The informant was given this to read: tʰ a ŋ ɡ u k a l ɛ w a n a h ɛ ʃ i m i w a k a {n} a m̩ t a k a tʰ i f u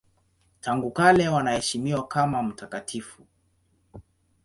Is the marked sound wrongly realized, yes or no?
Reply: yes